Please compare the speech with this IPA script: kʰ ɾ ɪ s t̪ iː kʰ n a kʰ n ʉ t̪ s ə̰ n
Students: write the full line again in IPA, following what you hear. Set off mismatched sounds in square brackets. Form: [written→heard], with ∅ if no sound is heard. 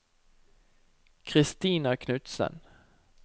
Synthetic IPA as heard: kʰ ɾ ɪ s t̪ iː [kʰ→∅] n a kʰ n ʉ t̪ s ə̰ n